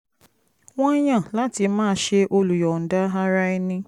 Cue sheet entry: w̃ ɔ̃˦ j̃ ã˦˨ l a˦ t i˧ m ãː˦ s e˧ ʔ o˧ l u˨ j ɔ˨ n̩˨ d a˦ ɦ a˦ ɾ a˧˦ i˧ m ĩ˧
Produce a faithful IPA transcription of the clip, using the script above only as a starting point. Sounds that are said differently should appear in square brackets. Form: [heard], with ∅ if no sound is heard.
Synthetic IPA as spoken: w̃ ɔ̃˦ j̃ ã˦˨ l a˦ t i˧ m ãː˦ [ʃ] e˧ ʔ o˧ l u˨ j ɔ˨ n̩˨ d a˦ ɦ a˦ ɾ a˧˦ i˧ [n] ĩ˧